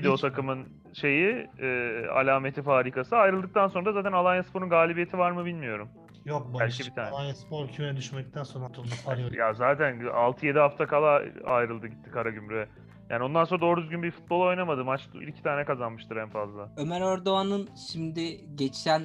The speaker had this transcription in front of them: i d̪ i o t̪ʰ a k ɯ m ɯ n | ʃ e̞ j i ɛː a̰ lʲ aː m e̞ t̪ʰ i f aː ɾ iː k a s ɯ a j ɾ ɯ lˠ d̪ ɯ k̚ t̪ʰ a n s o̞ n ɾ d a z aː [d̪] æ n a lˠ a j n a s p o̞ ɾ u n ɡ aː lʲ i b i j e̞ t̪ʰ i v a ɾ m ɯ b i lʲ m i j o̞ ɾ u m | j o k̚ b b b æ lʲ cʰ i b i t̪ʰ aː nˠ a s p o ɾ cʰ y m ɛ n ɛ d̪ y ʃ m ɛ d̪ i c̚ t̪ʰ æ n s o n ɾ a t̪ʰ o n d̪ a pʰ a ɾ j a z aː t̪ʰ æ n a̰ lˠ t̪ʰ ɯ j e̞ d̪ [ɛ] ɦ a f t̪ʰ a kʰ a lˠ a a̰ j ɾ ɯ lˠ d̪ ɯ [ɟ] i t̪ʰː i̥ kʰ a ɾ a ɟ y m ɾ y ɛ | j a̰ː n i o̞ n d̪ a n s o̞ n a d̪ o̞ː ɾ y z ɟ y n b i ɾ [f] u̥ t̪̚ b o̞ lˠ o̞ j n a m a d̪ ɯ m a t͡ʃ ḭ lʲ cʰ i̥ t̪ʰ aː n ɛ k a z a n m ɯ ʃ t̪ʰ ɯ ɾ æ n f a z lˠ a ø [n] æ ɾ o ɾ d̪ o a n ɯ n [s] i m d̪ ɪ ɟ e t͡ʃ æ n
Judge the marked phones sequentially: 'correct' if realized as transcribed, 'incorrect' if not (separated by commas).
incorrect, incorrect, correct, correct, incorrect, incorrect